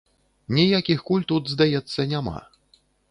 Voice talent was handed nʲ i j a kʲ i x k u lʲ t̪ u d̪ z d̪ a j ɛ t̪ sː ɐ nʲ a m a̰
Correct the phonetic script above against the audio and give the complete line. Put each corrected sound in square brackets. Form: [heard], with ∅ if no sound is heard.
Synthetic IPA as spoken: nʲ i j a kʲ i x k u lʲ t̪ u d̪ z d̪ a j ɛ t̪ sː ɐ nʲ a m a̰